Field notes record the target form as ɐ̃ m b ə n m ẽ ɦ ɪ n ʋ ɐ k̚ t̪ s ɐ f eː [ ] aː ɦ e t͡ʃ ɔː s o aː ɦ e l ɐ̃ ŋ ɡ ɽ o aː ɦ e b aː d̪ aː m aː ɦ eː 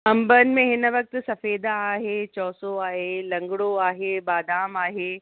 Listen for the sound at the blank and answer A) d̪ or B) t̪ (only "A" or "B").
A